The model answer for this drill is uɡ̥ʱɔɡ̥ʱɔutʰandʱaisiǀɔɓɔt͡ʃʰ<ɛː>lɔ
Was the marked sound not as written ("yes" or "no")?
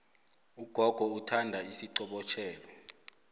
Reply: no